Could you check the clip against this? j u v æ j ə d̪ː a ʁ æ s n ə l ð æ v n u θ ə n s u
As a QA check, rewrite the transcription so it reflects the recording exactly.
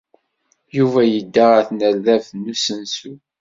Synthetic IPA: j u v æ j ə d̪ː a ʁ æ θ n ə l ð æ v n u s ə n s u

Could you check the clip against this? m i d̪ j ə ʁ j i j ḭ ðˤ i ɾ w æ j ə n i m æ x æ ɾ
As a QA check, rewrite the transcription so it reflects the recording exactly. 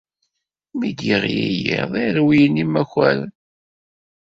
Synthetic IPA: m i d̪ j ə ʁ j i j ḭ ðˤ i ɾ w i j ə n i m æ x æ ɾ

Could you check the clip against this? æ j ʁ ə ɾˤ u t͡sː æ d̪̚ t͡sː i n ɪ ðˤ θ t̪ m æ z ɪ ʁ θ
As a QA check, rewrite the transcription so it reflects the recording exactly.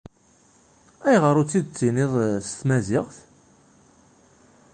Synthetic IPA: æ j ʁ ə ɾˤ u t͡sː i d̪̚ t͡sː i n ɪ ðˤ s t̪ m æ z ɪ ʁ θ

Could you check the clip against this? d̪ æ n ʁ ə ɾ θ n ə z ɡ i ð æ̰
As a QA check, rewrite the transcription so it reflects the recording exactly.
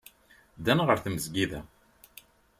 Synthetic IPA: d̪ æ n ʁ ə ɾ θ m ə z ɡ i ð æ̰

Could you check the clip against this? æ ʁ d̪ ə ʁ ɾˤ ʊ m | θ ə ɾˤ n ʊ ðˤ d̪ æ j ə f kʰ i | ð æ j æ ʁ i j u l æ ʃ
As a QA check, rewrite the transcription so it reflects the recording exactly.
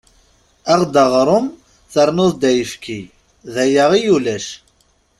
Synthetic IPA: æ ʁ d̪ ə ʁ ɾˤ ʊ m | θ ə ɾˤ n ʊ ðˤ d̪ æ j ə f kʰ i | ð æ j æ ʁ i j u l æ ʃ

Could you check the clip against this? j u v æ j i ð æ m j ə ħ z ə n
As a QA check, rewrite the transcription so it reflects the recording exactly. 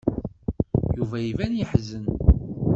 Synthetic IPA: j u v æ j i v æ n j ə ħ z ə n

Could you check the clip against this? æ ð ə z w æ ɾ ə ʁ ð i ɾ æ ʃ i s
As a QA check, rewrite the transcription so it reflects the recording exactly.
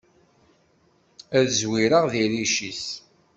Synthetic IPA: æ ð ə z w i ɾ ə ʁ ð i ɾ i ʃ i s

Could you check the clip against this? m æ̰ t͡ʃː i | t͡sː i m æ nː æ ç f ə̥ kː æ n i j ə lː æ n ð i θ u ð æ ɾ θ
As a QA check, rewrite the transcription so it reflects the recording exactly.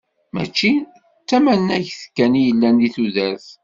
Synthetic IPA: m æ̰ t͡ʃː i | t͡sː æ m æ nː æ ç θ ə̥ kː æ n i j ə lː æ n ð i θ u ð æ ɾ θ

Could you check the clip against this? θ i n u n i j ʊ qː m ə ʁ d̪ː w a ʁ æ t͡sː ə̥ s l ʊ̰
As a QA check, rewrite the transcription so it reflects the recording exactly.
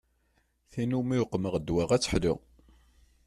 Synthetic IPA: θ i n u m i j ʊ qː m ə ʁ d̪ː w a ʁ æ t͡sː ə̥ ħ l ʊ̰

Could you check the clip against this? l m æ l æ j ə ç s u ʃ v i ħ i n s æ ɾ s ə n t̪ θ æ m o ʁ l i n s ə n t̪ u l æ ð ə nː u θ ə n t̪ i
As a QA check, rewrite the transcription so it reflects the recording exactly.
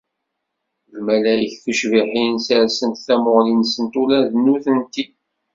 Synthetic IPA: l m æ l æ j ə ç θ u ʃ v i ħ i n s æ ɾ s ə n t̪ θ æ m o ʁ l i n s ə n t̪ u l æ ð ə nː u θ ə n t̪ i

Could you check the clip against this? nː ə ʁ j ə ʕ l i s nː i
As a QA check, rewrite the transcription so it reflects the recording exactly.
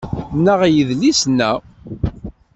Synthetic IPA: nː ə ʁ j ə ð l i s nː æ

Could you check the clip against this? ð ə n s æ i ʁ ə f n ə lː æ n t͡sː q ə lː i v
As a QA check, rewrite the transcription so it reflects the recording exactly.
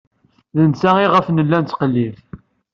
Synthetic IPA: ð ə n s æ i ʁ ə f n ə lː æ n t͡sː q ə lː i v

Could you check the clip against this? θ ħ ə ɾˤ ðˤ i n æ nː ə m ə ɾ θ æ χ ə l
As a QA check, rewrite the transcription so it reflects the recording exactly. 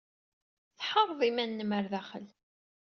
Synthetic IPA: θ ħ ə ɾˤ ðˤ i m æ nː ə m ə ɾ ð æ χ ə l

